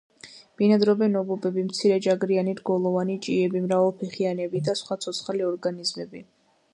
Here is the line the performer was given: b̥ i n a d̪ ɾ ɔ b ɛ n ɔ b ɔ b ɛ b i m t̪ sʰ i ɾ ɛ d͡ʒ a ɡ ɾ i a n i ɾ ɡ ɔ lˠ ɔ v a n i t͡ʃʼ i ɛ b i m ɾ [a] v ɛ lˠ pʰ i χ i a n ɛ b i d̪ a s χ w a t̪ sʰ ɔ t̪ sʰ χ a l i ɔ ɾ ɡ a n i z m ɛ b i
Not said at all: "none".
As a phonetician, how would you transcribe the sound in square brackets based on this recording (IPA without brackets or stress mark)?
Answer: a